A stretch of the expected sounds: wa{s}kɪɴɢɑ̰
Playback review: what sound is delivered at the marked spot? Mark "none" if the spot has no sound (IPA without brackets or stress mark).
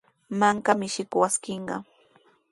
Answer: s